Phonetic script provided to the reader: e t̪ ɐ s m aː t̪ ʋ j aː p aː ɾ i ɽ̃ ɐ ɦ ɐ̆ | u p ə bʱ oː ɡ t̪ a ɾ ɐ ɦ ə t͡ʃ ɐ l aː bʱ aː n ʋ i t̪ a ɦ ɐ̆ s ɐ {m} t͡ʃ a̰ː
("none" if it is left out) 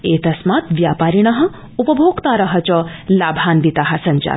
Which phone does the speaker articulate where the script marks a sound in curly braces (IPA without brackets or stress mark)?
ɲ